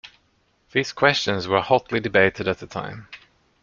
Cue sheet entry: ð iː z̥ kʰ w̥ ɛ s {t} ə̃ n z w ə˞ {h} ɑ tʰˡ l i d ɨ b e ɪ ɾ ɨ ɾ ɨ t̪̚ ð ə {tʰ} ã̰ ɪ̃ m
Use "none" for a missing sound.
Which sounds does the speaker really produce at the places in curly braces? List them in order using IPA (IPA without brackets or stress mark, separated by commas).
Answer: t͡ʃ, h, tʰ